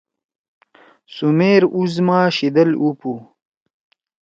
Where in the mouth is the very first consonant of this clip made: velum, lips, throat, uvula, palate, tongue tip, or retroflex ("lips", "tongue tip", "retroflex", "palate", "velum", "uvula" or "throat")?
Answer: tongue tip